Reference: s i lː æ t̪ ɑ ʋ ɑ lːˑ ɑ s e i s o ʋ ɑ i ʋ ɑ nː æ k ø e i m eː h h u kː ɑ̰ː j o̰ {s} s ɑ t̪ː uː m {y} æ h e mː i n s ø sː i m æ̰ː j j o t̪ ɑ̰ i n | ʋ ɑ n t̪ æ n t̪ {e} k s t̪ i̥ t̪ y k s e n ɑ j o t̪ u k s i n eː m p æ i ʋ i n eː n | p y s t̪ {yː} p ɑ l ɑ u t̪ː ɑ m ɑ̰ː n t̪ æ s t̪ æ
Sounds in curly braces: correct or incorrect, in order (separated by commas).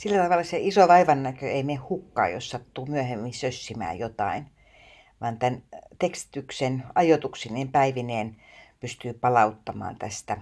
correct, correct, correct, correct